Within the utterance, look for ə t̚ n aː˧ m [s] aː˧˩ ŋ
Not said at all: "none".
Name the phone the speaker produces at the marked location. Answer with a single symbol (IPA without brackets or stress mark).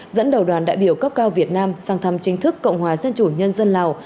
s